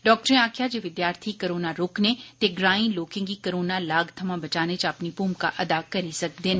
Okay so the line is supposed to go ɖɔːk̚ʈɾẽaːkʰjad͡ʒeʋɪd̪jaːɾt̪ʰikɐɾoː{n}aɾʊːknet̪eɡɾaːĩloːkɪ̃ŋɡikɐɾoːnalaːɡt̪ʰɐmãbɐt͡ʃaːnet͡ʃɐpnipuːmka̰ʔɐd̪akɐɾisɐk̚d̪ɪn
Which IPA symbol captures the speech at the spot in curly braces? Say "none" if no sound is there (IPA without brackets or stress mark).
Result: n